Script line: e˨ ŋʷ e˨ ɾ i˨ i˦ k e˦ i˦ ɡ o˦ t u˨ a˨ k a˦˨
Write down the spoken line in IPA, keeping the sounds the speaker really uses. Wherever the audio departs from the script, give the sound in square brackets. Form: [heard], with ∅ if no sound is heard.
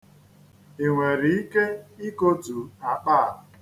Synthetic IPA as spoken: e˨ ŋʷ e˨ ɾ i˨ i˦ k e˦ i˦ [k] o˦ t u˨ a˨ [k͡p] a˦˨